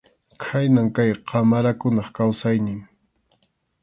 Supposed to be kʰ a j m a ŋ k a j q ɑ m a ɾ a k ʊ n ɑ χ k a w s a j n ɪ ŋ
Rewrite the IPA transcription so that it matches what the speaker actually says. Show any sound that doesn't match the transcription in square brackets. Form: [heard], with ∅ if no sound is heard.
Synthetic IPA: kʰ a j [n] a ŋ k a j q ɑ m a ɾ a k ʊ n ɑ χ k a w s a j n ɪ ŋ